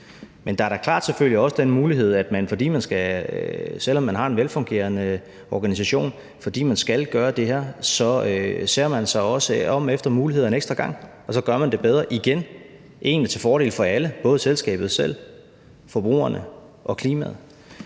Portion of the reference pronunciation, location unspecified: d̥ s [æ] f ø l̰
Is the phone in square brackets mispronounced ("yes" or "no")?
yes